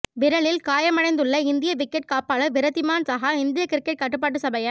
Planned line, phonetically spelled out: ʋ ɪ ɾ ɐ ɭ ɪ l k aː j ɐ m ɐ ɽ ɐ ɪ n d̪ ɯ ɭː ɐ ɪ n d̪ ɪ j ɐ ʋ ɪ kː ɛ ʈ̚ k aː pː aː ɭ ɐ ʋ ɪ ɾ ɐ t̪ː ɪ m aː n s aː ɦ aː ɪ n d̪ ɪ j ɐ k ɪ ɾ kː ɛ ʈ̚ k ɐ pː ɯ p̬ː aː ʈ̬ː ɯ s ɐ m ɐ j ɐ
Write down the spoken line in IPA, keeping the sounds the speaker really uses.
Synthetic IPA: ʋ ɪ ɾ ɐ ɭ ɪ l k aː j ɐ m ɐ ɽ ɐ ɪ n d̪ ɯ ɭː ɐ ɪ n d̪ ɪ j ɐ ʋ ɪ kː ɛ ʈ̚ k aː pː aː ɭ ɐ ʋ ɪ ɾ ɐ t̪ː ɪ m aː n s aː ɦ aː ɪ n d̪ ɪ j ɐ k ɪ ɾ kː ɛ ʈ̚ k ɐ ʈː ɯ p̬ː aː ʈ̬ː ɯ s ɐ b ɐ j ɐ